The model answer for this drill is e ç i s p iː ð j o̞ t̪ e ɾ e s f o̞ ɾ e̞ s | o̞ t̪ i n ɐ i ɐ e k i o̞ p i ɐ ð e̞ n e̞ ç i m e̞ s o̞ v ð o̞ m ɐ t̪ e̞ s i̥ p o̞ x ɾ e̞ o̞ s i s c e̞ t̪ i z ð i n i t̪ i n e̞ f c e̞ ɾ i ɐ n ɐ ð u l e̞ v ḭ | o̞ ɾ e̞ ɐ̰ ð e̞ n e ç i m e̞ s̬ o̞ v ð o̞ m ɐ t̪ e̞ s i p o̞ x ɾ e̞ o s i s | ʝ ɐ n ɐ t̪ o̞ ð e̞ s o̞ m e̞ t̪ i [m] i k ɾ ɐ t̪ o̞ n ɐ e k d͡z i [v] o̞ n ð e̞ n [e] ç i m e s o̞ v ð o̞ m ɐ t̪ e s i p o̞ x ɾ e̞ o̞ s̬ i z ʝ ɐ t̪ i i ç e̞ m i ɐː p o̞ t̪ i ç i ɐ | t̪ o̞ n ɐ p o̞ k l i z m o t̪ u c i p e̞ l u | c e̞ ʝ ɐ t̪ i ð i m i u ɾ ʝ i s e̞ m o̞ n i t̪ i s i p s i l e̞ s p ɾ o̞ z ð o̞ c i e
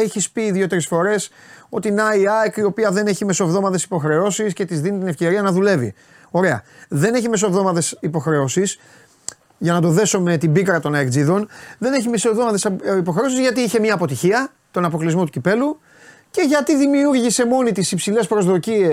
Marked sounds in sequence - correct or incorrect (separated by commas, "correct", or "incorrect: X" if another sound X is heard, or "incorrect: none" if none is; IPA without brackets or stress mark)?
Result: incorrect: b, incorrect: ð, correct